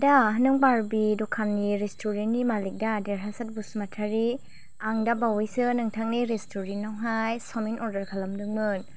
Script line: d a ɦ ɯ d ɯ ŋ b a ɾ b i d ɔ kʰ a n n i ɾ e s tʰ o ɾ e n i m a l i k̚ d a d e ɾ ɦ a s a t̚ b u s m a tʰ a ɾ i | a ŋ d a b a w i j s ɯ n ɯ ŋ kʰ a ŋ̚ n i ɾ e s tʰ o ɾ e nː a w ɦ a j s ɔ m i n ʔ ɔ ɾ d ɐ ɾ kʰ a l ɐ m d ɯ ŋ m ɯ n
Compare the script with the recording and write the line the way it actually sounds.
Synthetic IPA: d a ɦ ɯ n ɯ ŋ b a ɾ b i d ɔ kʰ a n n i ɾ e s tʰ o ɾ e n i m a l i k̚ d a d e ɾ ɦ a s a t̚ b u s m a tʰ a ɾ i | a ŋ d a b a w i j s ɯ n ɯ ŋ tʰ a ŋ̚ n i ɾ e s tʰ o ɾ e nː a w ɦ a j s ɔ m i n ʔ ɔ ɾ d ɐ ɾ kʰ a l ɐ m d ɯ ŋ m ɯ n